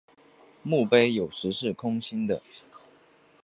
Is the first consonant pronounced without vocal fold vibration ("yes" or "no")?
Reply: no